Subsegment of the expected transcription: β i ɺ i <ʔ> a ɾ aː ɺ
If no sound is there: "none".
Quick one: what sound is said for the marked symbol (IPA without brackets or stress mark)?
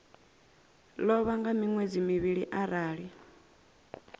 ʔ